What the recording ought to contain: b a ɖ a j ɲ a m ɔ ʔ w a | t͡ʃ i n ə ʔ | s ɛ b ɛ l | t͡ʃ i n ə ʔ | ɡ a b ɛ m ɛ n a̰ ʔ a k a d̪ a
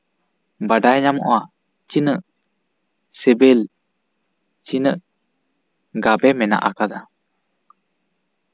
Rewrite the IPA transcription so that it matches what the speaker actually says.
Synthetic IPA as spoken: b a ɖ a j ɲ a m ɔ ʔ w a | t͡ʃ i n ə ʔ | s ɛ b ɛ l | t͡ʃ i n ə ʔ | ɡ a b ɛ m ɛ n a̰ ʔ a k a d̪ a